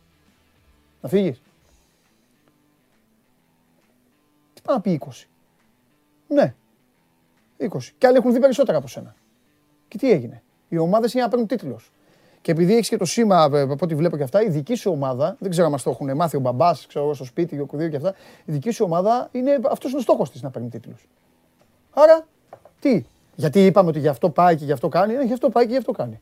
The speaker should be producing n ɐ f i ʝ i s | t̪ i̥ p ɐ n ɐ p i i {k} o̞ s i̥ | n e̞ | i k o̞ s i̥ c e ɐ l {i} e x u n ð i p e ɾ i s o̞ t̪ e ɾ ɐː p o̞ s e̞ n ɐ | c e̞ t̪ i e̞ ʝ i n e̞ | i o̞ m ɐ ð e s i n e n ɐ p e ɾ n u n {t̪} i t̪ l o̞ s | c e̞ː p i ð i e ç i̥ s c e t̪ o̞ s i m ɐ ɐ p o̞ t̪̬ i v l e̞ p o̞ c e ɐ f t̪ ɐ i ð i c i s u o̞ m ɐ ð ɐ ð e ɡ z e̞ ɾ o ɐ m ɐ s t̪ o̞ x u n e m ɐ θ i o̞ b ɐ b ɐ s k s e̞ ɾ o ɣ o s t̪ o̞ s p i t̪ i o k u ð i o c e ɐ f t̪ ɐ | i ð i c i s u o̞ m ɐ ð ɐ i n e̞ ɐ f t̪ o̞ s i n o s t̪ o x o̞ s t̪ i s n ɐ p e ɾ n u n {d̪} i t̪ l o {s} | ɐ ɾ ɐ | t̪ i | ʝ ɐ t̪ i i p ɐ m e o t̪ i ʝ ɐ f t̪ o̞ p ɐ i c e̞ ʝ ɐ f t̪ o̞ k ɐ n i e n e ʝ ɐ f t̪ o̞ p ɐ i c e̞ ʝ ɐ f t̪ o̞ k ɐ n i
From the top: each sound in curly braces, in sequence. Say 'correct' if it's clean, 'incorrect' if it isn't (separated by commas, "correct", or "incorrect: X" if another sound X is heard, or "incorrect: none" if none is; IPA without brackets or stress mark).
correct, correct, correct, incorrect: t̪, correct